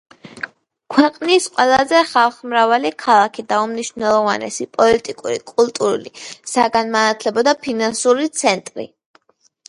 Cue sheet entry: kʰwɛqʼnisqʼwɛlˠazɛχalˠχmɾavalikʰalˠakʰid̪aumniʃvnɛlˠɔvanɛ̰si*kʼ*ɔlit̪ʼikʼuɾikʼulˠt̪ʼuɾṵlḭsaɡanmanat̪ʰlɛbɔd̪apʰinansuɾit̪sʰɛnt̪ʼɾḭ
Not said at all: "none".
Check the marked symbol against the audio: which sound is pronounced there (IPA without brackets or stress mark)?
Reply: pʼ